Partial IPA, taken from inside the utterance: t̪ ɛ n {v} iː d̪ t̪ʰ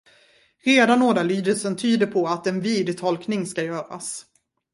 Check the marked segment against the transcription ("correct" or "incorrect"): correct